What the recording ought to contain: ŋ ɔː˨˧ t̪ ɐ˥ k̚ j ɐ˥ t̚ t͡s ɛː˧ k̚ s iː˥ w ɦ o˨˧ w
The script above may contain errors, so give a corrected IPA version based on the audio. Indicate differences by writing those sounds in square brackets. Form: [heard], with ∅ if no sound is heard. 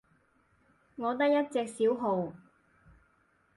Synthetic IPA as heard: ŋ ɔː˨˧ t̪ ɐ˥ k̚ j ɐ˥ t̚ t͡s ɛː˧ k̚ s [iː˨˥] w ɦ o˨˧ w

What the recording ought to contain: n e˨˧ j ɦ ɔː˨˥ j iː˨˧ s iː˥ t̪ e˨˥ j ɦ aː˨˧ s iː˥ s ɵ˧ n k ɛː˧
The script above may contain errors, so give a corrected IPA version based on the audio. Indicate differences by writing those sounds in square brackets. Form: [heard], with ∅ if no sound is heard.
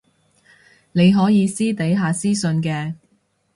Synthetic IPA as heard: n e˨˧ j ɦ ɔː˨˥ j iː˨˧ s iː˥ t̪ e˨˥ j ɦ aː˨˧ s iː˥ s ɵ˧ n k ɛː˧

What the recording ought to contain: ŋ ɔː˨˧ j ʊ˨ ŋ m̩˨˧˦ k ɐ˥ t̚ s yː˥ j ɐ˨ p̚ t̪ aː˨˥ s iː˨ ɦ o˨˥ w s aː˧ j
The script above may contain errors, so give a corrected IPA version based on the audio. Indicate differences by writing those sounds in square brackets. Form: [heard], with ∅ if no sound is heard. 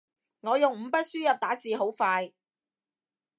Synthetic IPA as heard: ŋ ɔː˨˧ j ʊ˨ ŋ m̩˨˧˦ [p] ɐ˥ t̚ s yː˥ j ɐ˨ p̚ t̪ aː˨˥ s iː˨ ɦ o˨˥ w [f] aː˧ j

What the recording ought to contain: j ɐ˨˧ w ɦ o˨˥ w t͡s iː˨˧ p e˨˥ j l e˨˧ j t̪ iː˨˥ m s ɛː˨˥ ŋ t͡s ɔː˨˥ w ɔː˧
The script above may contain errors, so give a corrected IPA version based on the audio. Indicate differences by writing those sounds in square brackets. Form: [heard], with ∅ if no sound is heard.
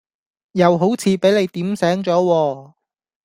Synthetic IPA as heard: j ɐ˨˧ w ɦ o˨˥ w [t͡sʰ] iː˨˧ p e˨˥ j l e˨˧ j t̪ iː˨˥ m s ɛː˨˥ ŋ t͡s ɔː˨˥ w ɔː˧

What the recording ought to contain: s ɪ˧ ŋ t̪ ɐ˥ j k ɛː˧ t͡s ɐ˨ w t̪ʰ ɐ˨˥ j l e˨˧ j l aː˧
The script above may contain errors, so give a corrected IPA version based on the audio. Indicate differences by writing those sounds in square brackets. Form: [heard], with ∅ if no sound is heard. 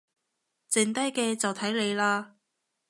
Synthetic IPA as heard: [t͡s] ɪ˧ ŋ t̪ ɐ˥ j k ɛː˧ t͡s ɐ˨ w t̪ʰ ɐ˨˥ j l e˨˧ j l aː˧

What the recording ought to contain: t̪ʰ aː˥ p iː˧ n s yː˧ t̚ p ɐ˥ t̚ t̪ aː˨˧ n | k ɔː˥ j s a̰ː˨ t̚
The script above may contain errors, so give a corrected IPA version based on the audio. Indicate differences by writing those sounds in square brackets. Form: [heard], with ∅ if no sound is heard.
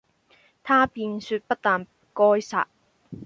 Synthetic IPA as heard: t̪ʰ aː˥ p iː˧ n s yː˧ t̚ p ɐ˥ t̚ t̪ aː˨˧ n | k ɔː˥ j s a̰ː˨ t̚

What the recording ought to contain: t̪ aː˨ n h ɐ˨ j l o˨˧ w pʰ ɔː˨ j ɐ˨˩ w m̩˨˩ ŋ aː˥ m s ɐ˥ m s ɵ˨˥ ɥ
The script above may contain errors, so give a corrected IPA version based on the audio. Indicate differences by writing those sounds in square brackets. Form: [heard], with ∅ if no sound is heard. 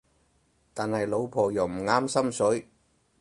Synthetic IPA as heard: t̪ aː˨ n h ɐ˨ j l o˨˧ w pʰ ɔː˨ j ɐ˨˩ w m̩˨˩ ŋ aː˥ m s ɐ˥ m s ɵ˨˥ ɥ

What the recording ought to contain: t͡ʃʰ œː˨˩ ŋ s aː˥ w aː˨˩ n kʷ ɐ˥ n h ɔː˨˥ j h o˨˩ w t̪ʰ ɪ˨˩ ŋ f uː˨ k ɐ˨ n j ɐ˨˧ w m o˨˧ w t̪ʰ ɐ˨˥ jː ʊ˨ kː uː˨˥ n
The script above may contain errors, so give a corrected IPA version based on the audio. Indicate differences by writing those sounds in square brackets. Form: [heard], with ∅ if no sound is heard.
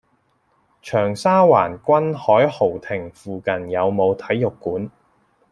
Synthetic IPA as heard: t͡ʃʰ œː˨˩ ŋ s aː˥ w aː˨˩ n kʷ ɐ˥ n h ɔː˨˥ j h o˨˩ w t̪ʰ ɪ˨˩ ŋ f uː˨ k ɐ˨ n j ɐ˨˧ w m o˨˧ w t̪ʰ ɐ˨˥ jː ʊ˨ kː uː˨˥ n

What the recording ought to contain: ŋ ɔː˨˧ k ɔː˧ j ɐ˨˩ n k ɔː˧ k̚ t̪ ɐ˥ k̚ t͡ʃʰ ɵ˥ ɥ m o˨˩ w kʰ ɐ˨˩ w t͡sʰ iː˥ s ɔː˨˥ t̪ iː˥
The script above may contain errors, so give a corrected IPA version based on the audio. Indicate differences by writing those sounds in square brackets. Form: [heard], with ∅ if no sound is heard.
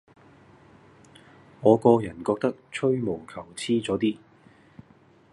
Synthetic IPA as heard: ŋ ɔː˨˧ k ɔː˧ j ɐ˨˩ n k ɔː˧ k̚ t̪ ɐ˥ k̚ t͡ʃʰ ɵ˥ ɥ m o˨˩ w kʰ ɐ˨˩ w t͡sʰ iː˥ [t͡s] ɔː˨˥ t̪ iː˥

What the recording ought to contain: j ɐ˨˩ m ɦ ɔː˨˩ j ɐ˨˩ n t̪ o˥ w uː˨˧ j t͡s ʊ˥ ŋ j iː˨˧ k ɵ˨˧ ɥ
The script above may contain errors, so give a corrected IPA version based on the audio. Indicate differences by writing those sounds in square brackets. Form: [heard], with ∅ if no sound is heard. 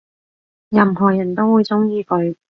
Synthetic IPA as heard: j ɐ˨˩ m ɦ ɔː˨˩ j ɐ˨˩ n t̪ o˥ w uː˨˧ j t͡s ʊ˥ ŋ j iː˨˧ k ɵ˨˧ ɥ

